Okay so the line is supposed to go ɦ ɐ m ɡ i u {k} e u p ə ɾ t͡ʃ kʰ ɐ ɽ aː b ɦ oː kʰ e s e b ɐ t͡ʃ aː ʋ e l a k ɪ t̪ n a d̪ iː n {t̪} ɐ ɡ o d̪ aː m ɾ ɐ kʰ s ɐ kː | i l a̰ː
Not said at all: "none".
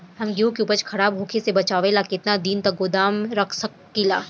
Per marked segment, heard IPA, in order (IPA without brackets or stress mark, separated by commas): k, t̪